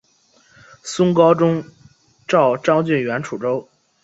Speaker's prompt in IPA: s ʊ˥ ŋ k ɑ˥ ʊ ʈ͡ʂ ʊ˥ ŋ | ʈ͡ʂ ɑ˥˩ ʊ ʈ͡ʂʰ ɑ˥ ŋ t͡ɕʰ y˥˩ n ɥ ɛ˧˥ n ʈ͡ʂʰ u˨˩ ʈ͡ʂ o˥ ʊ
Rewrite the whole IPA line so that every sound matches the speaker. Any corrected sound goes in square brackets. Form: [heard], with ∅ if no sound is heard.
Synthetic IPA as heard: s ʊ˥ ŋ k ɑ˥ ʊ ʈ͡ʂ ʊ˥ ŋ | ʈ͡ʂ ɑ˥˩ ʊ [ʈ͡ʂ] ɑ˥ ŋ [t͡ɕ] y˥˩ n ɥ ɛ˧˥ n ʈ͡ʂʰ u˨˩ ʈ͡ʂ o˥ ʊ